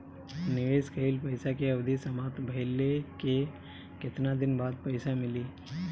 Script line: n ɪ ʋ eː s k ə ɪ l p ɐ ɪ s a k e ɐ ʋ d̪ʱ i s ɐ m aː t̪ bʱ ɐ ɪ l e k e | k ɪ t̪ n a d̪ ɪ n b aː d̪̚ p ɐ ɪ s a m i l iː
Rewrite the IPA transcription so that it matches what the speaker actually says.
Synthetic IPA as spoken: n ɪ ʋ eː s k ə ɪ l p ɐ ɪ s a k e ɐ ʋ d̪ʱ i s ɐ m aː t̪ bʱ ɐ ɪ l e k e | k ɪ t̪ n a d̪ ɪ n b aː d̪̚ p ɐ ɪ s a m ɪ l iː